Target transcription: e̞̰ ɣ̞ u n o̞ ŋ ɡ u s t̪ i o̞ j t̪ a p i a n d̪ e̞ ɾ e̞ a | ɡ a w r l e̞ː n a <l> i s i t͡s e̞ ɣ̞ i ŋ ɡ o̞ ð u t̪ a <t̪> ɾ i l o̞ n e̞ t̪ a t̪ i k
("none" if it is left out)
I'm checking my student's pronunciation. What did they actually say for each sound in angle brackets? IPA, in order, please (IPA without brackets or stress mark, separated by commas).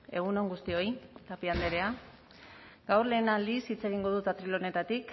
l, t̪